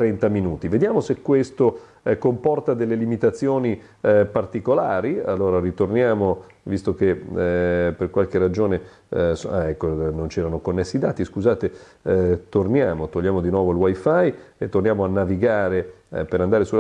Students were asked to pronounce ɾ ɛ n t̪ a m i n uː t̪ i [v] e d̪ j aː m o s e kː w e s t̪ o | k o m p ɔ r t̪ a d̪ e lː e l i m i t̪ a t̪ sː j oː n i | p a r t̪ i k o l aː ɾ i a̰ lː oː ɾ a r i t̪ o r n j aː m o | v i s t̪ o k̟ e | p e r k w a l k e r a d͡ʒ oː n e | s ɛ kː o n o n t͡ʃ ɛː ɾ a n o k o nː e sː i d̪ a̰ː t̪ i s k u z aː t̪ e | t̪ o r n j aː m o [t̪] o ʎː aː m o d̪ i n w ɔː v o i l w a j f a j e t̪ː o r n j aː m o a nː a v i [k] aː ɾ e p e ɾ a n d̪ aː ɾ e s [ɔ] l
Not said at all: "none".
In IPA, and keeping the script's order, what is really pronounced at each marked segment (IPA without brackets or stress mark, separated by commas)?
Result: v, t̪, ɡ, u